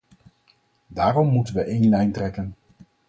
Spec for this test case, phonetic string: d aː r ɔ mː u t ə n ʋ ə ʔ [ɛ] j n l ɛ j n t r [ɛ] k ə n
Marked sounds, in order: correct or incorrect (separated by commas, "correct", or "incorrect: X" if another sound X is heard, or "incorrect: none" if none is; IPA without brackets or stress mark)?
incorrect: e, correct